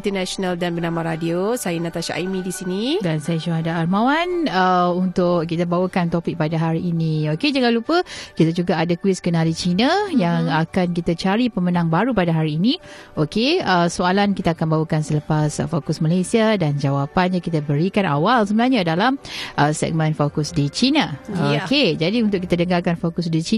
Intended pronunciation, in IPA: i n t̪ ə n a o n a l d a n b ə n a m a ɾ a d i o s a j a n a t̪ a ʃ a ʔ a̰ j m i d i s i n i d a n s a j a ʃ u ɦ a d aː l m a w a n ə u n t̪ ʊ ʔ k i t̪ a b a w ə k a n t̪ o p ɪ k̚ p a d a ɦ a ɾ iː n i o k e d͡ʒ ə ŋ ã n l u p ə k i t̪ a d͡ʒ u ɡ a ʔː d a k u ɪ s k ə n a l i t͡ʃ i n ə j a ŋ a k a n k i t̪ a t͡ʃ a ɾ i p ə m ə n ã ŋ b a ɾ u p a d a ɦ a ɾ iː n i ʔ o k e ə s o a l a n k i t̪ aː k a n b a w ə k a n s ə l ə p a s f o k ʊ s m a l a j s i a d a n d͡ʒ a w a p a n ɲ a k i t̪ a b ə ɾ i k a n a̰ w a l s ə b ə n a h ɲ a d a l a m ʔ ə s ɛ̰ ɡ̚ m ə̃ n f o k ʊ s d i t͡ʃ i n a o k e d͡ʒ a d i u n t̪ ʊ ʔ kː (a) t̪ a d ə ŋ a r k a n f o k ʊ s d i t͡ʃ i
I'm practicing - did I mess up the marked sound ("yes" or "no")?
yes